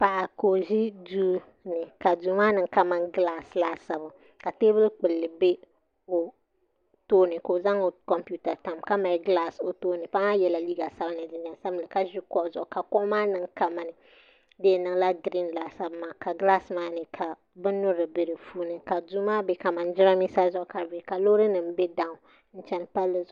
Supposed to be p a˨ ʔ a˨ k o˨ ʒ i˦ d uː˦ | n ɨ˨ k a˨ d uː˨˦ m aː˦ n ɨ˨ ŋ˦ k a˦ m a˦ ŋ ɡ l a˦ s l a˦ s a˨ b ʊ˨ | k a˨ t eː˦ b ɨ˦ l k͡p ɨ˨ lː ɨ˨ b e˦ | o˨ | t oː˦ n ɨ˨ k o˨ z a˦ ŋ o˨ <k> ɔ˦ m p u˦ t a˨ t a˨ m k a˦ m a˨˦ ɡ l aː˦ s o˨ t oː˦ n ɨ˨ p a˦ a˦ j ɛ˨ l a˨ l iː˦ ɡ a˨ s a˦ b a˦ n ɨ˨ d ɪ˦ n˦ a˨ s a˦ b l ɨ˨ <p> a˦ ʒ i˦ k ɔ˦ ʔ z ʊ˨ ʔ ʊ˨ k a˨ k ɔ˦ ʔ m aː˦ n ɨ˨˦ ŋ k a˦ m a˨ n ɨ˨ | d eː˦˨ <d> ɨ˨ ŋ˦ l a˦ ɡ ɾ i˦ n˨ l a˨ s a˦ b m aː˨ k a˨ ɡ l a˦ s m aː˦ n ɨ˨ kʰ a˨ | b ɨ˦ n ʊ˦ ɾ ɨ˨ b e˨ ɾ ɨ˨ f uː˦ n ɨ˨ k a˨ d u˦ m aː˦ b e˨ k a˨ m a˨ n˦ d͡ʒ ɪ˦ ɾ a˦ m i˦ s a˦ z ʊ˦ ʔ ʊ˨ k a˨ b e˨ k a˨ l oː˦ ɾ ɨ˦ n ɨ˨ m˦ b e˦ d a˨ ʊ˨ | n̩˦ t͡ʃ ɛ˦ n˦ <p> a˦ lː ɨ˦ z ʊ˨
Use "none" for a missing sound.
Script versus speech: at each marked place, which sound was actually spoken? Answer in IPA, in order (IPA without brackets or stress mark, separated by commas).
k, k, n, p